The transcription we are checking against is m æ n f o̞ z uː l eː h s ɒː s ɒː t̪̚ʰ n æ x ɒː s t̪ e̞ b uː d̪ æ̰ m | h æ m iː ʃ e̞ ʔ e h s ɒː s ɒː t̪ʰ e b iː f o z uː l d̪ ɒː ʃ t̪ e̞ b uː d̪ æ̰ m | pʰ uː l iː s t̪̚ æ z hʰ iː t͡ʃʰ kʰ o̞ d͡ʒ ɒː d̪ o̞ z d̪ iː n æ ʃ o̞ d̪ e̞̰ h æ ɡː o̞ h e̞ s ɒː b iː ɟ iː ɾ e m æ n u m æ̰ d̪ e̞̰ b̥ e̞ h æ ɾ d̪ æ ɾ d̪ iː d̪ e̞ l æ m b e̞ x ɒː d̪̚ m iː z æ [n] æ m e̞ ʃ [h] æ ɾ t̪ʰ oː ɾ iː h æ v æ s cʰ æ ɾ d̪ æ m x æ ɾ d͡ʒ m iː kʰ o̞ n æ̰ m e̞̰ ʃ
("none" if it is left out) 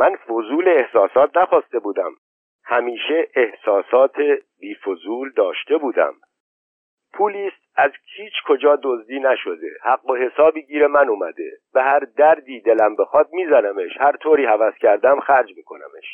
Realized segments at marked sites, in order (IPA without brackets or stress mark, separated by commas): n, h